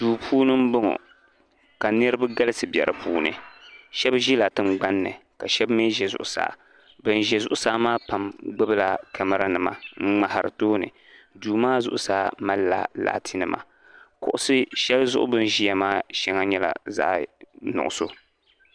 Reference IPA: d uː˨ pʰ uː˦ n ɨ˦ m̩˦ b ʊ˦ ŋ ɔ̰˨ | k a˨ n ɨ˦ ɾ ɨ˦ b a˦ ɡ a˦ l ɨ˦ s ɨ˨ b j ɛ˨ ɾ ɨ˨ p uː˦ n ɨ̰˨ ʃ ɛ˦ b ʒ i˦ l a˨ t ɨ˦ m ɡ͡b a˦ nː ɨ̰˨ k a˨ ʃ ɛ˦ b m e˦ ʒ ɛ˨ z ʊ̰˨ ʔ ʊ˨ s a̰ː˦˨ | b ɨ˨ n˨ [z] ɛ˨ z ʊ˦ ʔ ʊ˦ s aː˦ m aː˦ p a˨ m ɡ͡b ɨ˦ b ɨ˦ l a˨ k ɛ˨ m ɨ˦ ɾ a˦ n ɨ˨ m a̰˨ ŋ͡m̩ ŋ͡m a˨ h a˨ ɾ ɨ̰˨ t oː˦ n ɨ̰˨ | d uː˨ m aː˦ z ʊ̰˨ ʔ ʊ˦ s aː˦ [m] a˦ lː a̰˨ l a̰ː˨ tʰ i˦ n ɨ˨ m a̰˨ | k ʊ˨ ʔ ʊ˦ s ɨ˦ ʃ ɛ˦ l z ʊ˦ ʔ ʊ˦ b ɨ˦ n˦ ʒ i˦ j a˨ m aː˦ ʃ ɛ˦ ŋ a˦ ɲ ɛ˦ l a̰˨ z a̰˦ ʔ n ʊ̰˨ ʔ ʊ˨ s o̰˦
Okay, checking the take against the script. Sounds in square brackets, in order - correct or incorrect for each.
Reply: incorrect: ʒ, correct

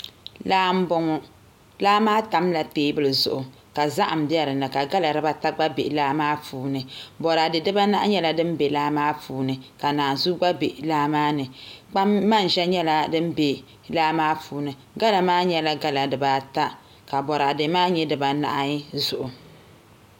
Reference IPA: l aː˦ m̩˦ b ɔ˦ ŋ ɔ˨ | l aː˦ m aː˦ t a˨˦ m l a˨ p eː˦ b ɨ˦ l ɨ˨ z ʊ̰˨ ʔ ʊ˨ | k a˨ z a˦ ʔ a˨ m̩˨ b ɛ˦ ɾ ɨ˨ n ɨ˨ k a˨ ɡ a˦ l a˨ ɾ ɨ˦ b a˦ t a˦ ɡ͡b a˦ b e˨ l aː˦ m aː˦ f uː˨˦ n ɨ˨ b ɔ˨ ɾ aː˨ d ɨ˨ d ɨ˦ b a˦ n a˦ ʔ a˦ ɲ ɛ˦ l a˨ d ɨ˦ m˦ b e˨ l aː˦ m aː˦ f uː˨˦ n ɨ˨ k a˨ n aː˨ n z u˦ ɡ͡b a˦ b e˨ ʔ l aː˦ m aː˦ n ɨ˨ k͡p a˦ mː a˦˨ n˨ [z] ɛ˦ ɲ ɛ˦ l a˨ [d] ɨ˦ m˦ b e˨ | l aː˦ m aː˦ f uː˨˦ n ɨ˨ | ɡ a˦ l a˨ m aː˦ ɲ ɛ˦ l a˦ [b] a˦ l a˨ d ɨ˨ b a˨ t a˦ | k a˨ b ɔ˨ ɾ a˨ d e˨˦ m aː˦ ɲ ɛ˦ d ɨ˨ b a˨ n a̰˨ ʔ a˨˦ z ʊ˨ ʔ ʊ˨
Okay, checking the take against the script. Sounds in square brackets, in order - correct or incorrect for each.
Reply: incorrect: ʒ, correct, incorrect: ɡ

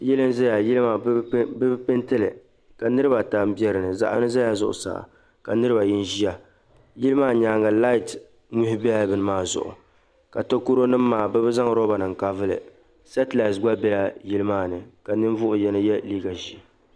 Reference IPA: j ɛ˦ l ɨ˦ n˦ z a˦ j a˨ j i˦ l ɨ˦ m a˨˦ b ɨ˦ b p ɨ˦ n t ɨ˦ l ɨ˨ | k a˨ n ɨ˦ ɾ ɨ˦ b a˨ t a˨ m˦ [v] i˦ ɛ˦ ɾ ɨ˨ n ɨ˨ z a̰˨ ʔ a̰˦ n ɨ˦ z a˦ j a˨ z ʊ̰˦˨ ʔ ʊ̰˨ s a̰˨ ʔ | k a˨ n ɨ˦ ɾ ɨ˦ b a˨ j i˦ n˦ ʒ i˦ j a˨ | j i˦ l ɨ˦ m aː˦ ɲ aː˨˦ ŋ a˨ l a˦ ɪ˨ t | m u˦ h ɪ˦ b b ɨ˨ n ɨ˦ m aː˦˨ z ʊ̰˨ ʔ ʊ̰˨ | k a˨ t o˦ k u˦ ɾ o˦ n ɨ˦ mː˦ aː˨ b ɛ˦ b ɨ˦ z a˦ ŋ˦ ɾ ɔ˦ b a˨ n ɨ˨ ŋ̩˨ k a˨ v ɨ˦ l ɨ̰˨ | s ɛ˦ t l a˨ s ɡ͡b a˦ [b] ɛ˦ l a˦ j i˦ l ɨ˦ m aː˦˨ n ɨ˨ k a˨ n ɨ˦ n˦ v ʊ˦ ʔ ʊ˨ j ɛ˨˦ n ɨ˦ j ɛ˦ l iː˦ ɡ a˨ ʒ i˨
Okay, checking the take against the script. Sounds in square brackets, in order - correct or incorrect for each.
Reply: incorrect: b, correct

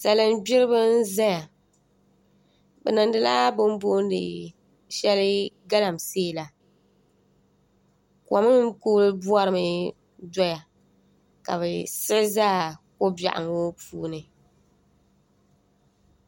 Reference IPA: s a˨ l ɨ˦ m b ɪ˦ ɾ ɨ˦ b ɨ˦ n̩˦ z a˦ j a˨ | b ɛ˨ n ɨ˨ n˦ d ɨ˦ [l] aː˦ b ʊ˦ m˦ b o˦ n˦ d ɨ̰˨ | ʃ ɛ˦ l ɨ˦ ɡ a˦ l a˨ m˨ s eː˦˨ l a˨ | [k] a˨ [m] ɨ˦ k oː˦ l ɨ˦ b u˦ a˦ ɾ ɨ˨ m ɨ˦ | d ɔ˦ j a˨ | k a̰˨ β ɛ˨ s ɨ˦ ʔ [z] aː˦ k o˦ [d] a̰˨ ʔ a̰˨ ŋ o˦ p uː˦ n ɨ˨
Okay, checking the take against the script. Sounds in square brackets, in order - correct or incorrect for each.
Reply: correct, correct, correct, correct, incorrect: b

